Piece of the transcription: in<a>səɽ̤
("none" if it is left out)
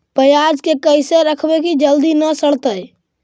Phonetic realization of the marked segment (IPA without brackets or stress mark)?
ə